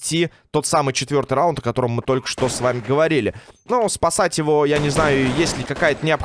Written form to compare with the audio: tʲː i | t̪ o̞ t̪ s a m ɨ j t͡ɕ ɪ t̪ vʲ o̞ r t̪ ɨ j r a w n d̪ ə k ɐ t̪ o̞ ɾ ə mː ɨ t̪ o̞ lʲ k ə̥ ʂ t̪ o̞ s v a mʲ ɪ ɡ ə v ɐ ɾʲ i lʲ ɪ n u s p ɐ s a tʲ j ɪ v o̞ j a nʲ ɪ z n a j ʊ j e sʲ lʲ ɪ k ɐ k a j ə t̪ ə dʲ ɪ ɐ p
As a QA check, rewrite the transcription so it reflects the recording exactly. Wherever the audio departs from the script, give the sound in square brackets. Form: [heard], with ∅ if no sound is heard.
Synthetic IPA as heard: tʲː i | t̪ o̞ t̪ s a m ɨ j t͡ɕ ɪ t̪ vʲ o̞ r t̪ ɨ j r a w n [t̪] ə k ɐ t̪ o̞ ɾ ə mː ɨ t̪ o̞ lʲ k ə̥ ʂ t̪ o̞ s v a mʲ ɪ ɡ ə v ɐ ɾʲ i lʲ ɪ n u s p ɐ s a tʲ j ɪ v o̞ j a nʲ ɪ z n a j ʊ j e sʲ lʲ ɪ k ɐ k a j ə t̪ ə [nʲ] ɪ ɐ p